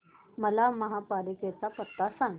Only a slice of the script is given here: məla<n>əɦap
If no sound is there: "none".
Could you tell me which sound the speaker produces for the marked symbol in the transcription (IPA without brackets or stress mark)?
m